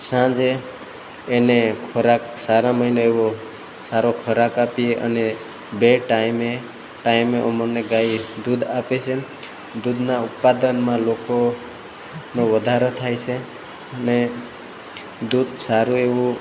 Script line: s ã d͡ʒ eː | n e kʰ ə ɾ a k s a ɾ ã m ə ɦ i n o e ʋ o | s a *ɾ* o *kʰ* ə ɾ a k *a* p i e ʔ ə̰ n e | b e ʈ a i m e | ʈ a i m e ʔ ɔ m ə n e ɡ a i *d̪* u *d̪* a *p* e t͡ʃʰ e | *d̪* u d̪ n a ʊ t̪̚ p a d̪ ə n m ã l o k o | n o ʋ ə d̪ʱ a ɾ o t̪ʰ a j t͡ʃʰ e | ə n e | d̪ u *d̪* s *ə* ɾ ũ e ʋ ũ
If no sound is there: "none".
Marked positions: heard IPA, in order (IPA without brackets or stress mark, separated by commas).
ɾ, kʰ, a, d̪, d̪, p, d̪, d̪, a